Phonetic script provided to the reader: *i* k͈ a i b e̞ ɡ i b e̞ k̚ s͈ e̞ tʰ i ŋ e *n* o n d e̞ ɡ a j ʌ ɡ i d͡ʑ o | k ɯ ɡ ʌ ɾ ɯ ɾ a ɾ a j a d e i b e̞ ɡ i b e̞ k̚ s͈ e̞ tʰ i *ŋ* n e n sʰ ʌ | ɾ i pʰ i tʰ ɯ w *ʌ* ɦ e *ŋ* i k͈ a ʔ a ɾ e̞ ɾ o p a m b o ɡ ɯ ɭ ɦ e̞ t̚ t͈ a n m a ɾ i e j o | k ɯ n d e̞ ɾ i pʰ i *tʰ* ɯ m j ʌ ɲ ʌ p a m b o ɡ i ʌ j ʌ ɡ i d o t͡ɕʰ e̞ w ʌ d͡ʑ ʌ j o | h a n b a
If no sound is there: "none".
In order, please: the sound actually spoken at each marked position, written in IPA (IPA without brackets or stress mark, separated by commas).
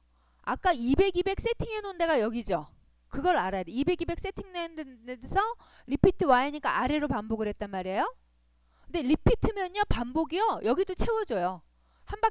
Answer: a, n, ŋ, a, ɲ, tʰ